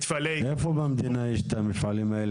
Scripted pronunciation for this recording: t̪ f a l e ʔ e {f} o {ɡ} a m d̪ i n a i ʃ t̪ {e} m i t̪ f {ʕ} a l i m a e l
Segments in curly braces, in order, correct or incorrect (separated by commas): correct, incorrect, incorrect, correct